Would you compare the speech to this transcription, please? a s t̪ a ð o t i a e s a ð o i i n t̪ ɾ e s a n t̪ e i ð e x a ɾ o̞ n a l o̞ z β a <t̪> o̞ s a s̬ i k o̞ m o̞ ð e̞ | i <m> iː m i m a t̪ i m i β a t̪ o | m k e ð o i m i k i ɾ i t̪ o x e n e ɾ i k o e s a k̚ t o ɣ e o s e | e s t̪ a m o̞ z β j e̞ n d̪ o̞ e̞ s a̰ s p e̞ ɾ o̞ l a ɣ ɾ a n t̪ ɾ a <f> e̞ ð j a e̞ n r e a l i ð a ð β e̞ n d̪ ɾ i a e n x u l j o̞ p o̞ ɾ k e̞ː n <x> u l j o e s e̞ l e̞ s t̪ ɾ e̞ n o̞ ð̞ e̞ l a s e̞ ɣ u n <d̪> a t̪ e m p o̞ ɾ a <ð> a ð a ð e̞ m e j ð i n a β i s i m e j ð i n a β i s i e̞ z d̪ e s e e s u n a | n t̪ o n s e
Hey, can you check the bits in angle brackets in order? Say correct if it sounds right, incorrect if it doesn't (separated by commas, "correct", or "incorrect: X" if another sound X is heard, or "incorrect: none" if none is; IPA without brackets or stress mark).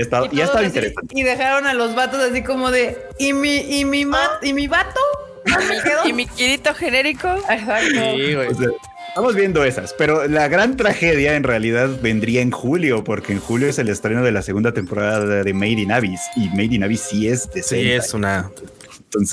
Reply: correct, correct, incorrect: x, correct, correct, correct